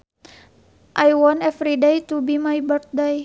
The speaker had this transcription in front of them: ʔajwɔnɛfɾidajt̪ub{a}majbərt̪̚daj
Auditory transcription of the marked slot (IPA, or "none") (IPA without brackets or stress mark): i